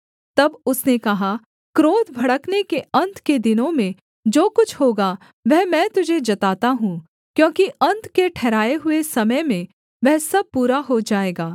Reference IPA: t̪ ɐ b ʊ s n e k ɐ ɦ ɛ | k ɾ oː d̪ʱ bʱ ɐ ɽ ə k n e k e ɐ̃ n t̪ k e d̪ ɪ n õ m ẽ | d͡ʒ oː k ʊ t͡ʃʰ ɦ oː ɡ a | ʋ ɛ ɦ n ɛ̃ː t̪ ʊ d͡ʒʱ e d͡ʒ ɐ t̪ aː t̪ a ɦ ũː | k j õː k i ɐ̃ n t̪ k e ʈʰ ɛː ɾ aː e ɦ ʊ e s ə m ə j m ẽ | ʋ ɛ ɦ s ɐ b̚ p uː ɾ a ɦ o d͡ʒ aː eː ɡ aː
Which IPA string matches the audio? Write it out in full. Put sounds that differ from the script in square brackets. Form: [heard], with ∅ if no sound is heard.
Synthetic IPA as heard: t̪ ɐ b ʊ s n e k ɐ ɦ [a] | k ɾ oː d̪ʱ bʱ ɐ ɽ ə k n e k e ɐ̃ n t̪ k e d̪ ɪ n õ m ẽ | d͡ʒ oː k ʊ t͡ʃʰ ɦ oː ɡ a | ʋ ɛ ɦ [m] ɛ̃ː t̪ ʊ d͡ʒʱ e d͡ʒ ɐ t̪ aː t̪ a ɦ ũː | k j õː k i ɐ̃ n t̪ k e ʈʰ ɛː ɾ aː e ɦ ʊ e s [ɐ] m ə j m ẽ | ʋ ɛ ɦ s ɐ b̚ p uː ɾ a ɦ o d͡ʒ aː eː ɡ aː

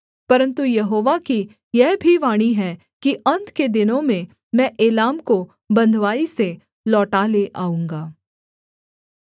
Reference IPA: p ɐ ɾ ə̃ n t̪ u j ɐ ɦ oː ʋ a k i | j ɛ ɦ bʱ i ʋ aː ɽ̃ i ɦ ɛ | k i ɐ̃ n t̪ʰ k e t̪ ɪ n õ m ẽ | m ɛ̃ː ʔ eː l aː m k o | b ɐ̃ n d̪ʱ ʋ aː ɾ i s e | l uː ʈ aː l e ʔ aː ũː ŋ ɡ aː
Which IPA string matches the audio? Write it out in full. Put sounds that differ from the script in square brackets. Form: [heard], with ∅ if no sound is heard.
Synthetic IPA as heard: p ɐ ɾ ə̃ n t̪ u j ɐ ɦ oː ʋ a k i | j ɛ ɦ bʱ i ʋ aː ɽ̃ i ɦ ɛ | k i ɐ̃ n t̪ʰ k e [d̪] ɪ n õ m ẽ | m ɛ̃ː ʔ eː l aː m k o | b ɐ̃ n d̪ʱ ʋ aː [∅] i s e | l [ɔː] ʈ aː l e ʔ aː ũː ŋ ɡ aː

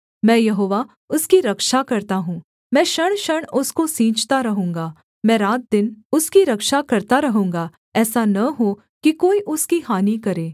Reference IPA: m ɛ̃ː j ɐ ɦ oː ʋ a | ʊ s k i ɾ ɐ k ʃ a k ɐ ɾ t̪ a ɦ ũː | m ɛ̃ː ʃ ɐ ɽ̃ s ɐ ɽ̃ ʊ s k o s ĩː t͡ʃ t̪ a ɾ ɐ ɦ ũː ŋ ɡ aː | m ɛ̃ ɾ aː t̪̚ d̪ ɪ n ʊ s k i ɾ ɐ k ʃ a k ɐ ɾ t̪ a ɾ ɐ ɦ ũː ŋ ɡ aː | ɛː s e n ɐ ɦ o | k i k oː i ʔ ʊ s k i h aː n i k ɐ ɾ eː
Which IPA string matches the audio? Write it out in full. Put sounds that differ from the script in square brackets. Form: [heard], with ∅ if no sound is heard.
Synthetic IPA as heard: m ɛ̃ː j ɐ ɦ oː ʋ a | ʊ s k i ɾ ɐ k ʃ a k ɐ ɾ t̪ a ɦ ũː | m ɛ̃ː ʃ ɐ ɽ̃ [ʃ] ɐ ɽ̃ ʊ s k o s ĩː t͡ʃ t̪ a ɾ ɐ ɦ ũː ŋ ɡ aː | m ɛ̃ ɾ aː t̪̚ d̪ ɪ n ʊ s k i ɾ ɐ k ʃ a k ɐ ɾ t̪ a ɾ ɐ ɦ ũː ŋ ɡ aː | ɛː s [a] n ɐ ɦ o | k i k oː i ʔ ʊ s k i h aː n i k ɐ ɾ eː

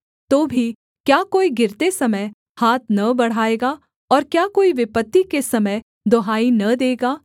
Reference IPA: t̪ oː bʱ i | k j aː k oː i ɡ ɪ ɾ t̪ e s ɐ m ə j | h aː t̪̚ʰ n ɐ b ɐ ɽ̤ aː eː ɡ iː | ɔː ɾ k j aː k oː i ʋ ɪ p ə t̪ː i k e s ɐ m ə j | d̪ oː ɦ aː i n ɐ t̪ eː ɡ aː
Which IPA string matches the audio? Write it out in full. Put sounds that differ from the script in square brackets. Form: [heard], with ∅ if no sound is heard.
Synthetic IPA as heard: t̪ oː bʱ i | k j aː k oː i ɡ ɪ ɾ t̪ e s ɐ m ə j | h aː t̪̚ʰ n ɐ b ɐ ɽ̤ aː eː ɡ [aː] | ɔː ɾ k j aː k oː i ʋ ɪ p ə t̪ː i k e s ɐ m ə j | d̪ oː ɦ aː i n ɐ [d̪] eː ɡ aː

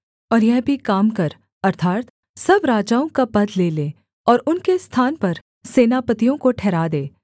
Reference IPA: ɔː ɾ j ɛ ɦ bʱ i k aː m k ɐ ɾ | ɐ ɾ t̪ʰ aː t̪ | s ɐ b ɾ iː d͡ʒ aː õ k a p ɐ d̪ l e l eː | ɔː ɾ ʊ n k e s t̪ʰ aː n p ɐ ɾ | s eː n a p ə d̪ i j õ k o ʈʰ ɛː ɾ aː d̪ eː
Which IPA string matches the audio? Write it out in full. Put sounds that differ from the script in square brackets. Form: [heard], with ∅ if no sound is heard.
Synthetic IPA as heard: ɔː ɾ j ɛ ɦ bʱ i k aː m k ɐ ɾ | ɐ ɾ t̪ʰ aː t̪ | s ɐ b ɾ [aː] d͡ʒ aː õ k a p ɐ d̪ l e l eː | ɔː ɾ ʊ n k e s t̪ʰ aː n p ɐ ɾ | s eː n a p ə [t̪] i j õ k o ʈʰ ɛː ɾ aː d̪ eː

